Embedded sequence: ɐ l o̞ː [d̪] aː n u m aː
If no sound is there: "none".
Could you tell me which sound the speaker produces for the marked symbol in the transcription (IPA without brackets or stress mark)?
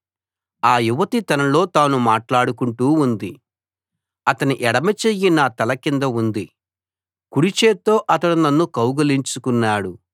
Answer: t̪